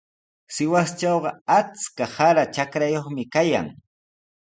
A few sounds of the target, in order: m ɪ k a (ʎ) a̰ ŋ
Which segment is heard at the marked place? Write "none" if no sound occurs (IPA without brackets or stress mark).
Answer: j